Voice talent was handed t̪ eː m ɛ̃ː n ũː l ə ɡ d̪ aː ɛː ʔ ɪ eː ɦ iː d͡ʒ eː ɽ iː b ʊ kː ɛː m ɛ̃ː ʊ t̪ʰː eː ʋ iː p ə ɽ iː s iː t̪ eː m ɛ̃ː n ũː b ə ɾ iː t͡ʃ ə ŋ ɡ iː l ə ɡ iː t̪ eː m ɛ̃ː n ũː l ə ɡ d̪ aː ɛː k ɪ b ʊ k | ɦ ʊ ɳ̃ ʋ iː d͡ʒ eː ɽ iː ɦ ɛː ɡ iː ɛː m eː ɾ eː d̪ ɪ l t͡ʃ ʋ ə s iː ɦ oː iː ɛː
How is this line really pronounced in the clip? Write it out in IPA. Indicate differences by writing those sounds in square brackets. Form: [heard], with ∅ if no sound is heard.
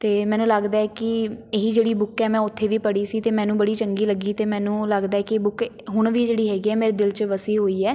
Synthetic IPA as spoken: t̪ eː m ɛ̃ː n ũː l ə ɡ d̪ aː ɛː [k] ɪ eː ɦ iː d͡ʒ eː ɽ iː b ʊ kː ɛː m ɛ̃ː ʊ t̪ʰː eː ʋ iː p ə ɽ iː s iː t̪ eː m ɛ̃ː n ũː b ə [ɽ] iː t͡ʃ ə ŋ ɡ iː l ə ɡ iː t̪ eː m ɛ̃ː n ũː l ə ɡ d̪ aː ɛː k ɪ b ʊ k | ɦ ʊ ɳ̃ ʋ iː d͡ʒ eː ɽ iː ɦ ɛː ɡ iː ɛː m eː ɾ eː d̪ ɪ l t͡ʃ ʋ ə s iː ɦ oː iː ɛː